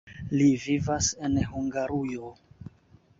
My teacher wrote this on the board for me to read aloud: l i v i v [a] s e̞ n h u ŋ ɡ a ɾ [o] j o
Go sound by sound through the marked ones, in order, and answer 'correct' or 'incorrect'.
correct, incorrect: u

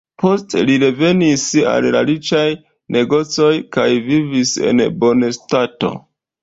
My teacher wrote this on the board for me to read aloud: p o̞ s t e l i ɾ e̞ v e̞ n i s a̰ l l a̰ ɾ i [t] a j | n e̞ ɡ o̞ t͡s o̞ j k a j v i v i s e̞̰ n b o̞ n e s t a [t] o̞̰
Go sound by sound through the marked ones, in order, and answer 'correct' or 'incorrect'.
incorrect: t͡ʃ, correct

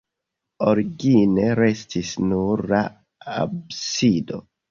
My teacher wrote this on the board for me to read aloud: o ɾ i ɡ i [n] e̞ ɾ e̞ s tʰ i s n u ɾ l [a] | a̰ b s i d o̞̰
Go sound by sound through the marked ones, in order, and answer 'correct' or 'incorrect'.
correct, correct

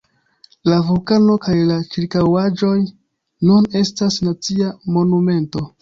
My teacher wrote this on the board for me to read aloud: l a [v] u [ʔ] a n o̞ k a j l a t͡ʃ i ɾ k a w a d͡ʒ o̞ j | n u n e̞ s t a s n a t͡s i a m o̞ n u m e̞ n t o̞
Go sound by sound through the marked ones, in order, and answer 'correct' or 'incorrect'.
correct, incorrect: k

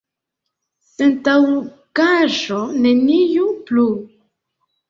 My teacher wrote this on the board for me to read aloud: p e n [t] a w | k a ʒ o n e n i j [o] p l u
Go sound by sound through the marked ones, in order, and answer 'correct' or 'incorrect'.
correct, incorrect: u

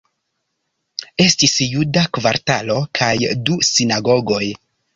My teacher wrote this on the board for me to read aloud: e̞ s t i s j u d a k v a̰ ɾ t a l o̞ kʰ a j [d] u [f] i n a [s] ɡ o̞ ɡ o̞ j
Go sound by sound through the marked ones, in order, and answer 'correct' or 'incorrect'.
correct, incorrect: s, incorrect: none

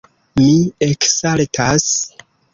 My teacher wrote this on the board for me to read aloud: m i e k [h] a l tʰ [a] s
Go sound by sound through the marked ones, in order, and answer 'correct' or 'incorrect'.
incorrect: s, correct

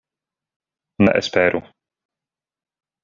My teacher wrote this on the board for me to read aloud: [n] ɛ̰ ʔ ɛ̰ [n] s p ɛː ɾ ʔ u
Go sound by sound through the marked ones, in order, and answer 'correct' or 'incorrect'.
correct, incorrect: none

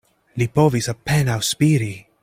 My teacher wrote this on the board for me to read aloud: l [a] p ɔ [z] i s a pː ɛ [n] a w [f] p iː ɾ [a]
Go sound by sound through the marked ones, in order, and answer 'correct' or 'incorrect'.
incorrect: i, incorrect: v, correct, incorrect: s, incorrect: i

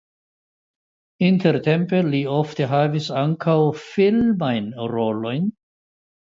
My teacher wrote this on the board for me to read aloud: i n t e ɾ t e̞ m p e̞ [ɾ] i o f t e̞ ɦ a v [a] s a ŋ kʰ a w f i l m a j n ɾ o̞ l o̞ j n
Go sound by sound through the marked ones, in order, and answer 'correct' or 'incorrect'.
incorrect: l, incorrect: i

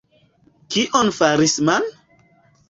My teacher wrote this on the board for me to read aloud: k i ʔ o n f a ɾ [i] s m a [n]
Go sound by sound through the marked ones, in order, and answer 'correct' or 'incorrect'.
correct, correct

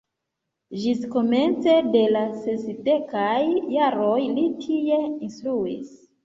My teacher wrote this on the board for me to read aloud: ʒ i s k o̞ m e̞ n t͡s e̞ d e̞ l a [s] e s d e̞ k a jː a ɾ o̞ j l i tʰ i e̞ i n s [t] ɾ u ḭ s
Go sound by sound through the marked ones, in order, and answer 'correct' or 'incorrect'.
correct, correct

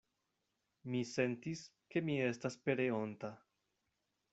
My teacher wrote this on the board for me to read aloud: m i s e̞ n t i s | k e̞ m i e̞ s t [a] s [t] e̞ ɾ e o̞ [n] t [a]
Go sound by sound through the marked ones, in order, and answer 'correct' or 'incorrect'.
correct, incorrect: p, correct, correct

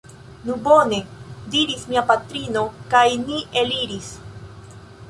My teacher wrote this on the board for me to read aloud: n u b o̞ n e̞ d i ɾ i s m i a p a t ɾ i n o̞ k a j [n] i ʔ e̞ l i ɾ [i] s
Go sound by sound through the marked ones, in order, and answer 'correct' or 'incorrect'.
correct, correct

